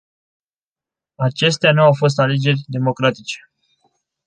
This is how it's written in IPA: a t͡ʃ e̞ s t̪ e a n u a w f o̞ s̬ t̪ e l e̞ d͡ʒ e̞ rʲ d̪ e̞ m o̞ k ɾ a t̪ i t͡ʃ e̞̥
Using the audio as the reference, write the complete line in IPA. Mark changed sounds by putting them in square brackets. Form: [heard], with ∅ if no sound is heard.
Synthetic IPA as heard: a t͡ʃ e̞ s t̪ e a n u a w f o̞ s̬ t̪ [a] l e̞ d͡ʒ e̞ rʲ d̪ e̞ m o̞ k ɾ a t̪ i t͡ʃ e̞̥